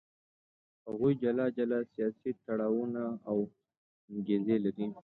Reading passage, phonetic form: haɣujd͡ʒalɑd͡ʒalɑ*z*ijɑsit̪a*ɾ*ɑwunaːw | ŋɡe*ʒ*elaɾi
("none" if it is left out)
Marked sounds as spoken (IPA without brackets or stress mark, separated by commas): s, ɽ, z